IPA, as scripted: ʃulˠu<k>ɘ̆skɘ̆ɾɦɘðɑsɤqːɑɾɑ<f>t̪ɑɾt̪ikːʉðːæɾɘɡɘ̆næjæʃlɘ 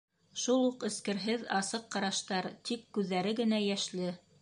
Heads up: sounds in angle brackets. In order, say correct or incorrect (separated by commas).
incorrect, incorrect